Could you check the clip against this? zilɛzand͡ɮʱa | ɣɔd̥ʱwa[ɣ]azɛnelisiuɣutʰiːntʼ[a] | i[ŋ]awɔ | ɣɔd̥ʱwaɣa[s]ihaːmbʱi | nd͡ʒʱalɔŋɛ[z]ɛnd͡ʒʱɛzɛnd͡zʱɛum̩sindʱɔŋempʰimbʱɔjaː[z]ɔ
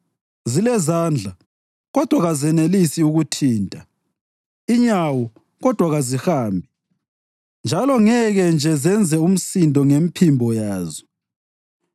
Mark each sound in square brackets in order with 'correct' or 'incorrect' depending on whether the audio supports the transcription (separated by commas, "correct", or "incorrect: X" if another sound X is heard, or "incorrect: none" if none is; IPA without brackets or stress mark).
correct, correct, incorrect: ɲ, incorrect: z, incorrect: ɣ, correct